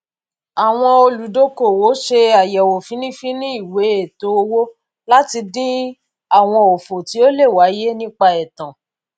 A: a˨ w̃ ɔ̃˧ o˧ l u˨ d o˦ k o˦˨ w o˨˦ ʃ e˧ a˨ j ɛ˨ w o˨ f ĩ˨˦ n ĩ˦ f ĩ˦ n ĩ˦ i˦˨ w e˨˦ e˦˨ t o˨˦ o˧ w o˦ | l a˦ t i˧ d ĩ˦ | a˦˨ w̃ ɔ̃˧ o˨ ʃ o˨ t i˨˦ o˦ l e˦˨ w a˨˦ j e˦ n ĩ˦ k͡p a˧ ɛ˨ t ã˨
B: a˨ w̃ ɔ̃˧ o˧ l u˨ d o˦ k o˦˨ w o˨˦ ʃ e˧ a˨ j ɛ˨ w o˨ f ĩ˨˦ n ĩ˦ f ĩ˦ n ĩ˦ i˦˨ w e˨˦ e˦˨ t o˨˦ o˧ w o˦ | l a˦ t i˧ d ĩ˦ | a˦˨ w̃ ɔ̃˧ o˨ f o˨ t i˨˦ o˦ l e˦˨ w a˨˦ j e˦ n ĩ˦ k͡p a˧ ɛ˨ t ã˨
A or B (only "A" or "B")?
B